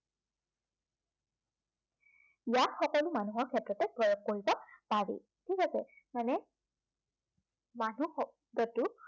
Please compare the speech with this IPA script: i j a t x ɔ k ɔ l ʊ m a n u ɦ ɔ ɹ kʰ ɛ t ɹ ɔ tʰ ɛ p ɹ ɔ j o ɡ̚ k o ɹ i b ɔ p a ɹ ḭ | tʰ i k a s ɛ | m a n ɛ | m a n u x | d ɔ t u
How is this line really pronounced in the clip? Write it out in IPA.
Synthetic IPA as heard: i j a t x ɔ k ɔ l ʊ m a n u ɦ ɔ ɹ kʰ ɛ t ɹ ɔ t ɛ p ɹ ɔ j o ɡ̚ k o ɹ i b ɔ p a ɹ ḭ | tʰ i k a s ɛ | m a n ɛ | m a n u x | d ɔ t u